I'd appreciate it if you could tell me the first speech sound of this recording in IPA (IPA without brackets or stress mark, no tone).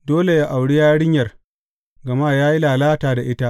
d